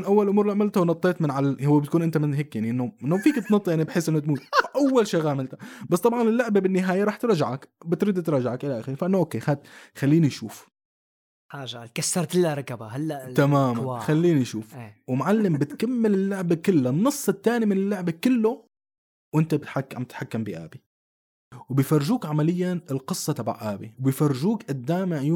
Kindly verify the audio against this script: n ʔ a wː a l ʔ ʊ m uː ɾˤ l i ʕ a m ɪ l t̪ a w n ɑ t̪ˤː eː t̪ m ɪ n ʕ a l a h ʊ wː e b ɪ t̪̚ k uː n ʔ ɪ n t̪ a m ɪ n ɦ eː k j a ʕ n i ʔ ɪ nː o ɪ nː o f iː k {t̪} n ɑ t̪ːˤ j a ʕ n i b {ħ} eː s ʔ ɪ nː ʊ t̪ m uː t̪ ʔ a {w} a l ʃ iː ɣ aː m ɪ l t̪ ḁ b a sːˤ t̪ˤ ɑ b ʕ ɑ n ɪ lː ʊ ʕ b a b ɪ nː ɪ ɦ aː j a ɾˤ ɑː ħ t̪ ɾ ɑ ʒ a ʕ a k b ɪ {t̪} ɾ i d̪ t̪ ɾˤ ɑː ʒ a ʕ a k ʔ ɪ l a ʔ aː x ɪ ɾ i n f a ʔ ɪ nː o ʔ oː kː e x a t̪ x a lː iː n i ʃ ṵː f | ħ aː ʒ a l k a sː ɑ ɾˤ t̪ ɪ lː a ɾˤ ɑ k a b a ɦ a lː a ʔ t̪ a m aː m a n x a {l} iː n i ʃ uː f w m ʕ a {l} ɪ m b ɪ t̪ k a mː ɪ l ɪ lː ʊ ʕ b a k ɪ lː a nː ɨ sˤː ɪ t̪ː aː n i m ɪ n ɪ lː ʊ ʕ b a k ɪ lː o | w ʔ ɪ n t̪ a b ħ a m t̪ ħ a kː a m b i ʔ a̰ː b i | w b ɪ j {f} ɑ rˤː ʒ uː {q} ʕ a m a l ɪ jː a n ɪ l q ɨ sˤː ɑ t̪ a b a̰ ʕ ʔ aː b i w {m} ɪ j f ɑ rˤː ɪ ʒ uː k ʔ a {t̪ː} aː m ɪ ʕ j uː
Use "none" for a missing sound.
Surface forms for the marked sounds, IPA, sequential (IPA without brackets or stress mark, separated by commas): t̪, ħ, wː, t̪, lː, lː, f, k, b, d̪ː